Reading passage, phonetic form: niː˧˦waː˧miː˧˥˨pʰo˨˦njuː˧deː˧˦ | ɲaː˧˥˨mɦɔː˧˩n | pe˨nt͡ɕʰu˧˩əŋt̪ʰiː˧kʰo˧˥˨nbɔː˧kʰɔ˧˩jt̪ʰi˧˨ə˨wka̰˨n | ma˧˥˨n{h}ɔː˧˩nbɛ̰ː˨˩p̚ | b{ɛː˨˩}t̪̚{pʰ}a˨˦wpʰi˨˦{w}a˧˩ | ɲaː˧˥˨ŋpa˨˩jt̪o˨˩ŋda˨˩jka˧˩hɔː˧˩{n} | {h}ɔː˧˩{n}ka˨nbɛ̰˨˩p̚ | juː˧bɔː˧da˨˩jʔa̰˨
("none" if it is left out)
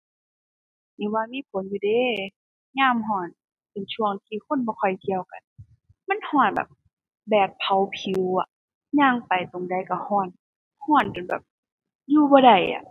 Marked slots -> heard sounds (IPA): h, ɛː˨˩, pʰ, w, n, h, n

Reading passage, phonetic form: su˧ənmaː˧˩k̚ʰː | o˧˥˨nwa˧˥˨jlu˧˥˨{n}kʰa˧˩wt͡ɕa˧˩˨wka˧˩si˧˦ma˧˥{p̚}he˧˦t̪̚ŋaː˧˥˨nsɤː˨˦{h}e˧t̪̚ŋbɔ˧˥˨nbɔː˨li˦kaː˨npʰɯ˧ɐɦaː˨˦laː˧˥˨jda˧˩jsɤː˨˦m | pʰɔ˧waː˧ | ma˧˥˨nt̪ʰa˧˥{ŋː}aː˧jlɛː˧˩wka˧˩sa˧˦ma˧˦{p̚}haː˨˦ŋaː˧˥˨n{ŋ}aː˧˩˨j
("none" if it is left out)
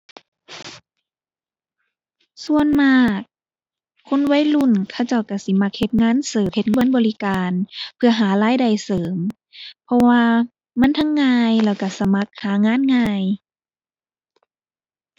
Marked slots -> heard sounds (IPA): n, k̚, h, ŋː, k̚, ŋ

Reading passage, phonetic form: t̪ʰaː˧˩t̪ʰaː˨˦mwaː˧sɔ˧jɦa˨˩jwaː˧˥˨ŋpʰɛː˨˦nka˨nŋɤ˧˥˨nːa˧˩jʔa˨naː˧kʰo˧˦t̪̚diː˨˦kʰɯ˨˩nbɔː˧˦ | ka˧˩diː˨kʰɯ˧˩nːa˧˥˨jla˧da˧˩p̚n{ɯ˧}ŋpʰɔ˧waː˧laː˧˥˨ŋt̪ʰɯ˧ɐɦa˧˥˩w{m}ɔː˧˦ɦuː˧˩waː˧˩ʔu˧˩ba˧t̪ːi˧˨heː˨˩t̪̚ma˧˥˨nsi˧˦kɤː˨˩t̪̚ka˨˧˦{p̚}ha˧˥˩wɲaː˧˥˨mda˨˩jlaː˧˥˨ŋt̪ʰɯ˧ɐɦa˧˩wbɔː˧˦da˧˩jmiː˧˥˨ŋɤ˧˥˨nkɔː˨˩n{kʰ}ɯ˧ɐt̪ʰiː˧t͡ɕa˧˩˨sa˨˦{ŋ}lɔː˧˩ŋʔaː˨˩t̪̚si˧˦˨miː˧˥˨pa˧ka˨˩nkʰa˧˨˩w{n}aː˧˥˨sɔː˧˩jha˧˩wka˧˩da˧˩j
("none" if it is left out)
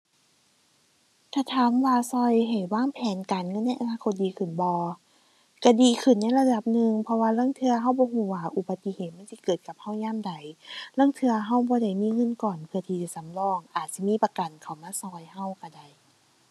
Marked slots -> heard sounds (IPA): ɯ˧, b, p̚, pʰ, m, m

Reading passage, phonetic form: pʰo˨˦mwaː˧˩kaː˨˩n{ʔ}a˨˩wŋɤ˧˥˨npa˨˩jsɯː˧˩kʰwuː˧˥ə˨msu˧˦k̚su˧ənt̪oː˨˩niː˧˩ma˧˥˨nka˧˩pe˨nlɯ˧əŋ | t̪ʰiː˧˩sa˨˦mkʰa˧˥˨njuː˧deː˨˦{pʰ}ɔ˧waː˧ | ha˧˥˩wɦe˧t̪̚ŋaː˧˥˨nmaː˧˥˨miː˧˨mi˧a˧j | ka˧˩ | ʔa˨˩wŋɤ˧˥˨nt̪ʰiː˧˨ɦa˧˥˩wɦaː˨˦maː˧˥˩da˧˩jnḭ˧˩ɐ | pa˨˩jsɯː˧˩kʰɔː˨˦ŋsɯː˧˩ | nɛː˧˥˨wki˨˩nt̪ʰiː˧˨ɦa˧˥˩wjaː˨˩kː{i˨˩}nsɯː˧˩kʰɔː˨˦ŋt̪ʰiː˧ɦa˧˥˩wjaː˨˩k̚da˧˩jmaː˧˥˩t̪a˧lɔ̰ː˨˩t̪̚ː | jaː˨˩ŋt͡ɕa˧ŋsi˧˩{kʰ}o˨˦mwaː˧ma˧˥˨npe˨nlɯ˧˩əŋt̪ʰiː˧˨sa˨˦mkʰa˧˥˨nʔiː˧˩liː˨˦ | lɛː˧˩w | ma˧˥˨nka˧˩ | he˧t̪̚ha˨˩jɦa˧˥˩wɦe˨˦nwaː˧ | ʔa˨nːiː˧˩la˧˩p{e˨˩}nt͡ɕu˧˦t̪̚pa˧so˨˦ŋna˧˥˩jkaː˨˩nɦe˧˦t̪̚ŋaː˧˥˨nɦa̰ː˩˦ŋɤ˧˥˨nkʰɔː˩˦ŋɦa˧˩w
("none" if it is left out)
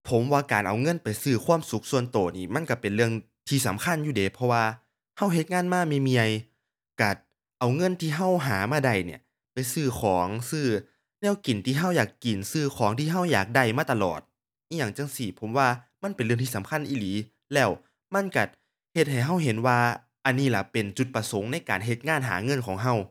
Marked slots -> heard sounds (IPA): ʔ, pʰ, i˨˩, pʰ, e˨˩

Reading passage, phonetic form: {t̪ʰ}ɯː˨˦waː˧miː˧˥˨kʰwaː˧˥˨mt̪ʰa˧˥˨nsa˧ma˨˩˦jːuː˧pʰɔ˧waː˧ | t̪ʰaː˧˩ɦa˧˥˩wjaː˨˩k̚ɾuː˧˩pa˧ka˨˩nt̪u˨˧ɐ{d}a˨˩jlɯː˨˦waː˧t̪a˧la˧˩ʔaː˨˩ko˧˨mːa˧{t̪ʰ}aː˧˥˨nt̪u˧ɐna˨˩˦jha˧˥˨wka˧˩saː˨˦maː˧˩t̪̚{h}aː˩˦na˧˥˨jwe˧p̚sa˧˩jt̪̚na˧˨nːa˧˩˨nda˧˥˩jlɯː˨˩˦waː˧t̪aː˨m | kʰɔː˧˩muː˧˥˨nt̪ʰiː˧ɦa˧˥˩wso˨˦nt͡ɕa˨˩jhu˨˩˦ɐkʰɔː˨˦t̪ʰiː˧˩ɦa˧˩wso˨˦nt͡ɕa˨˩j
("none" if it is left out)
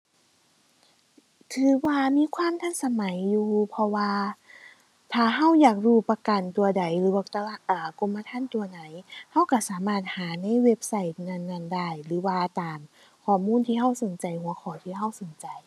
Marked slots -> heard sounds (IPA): t̪ʰ, d, t̪ʰ, h

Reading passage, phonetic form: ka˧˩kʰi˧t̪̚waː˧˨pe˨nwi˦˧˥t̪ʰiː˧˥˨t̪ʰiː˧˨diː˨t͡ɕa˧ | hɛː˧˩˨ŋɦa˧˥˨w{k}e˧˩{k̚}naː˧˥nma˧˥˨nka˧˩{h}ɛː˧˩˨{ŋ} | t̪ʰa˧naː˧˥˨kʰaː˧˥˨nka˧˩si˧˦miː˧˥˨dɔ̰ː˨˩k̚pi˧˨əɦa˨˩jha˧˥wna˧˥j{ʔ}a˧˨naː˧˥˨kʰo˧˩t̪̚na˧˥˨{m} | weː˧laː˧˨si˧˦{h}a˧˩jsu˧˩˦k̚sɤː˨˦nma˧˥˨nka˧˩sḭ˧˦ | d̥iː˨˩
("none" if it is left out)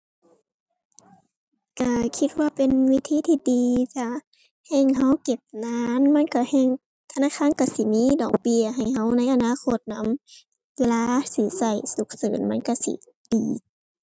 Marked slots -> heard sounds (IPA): k, p̚, h, ŋ, ʔ, m, s

